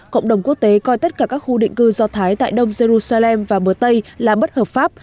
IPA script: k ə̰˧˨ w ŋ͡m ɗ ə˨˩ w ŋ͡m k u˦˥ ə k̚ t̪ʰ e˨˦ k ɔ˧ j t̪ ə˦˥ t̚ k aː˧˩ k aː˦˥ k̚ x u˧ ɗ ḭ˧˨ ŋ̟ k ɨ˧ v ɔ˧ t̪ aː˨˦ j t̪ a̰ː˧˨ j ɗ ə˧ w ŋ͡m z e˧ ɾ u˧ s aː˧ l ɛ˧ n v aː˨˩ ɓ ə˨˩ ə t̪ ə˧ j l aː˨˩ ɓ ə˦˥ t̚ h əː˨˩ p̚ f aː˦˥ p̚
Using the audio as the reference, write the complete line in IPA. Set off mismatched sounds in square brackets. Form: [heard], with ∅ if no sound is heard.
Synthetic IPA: k ə̰˧˨ w ŋ͡m ɗ ə˨˩ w ŋ͡m k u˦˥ ə k̚ [t̪] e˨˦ k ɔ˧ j t̪ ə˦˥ t̚ k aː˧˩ k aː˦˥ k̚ x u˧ ɗ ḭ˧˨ ŋ̟ k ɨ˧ [z] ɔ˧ [t̪ʰ] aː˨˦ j t̪ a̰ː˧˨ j ɗ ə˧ w ŋ͡m z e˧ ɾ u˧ s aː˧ l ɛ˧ [m] v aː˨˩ ɓ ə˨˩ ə t̪ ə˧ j l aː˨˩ ɓ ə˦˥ t̚ h əː˨˩ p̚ f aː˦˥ p̚